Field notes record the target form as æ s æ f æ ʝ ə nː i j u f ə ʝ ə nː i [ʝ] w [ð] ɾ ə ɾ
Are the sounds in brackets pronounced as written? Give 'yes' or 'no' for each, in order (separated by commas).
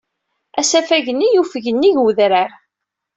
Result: yes, yes